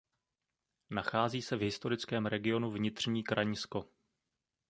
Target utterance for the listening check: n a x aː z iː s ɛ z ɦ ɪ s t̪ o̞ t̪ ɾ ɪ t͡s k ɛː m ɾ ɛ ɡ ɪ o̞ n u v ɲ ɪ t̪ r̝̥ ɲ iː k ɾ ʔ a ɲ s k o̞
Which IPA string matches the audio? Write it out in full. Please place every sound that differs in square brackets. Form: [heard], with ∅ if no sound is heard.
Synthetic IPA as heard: n a x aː z iː s ɛ [v] ɦ ɪ s t̪ o̞ [∅] ɾ ɪ t͡s k ɛː m ɾ ɛ ɡ ɪ o̞ n u v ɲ ɪ t̪ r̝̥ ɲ iː k ɾ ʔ a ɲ s k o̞